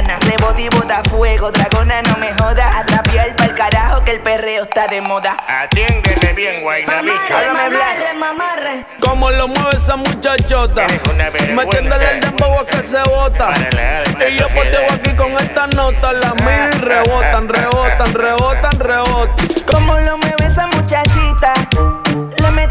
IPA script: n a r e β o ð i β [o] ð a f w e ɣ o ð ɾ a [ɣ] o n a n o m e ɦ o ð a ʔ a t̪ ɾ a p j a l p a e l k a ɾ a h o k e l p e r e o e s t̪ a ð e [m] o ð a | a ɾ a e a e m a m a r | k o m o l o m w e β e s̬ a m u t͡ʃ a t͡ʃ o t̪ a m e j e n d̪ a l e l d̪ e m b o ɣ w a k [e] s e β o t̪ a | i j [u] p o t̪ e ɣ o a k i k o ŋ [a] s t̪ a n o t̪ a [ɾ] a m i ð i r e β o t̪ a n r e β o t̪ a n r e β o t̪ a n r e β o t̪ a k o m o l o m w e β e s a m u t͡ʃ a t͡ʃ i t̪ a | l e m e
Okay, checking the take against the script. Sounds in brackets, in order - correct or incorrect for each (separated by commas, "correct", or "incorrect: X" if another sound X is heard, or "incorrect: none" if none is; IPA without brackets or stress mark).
correct, correct, correct, correct, incorrect: o, incorrect: e, incorrect: l